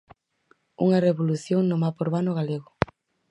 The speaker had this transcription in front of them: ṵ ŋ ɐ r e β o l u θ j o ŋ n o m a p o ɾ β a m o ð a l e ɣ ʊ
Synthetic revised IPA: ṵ ŋ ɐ r e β o l u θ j o ŋ n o m a p o ɾ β a n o ɣ a l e ɣ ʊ

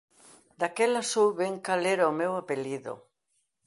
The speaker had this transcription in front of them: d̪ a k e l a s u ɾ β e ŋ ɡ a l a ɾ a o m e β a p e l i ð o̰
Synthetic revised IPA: d̪ a k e l a s u ɾ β e ŋ k a l e ɾ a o m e w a p e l i ð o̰

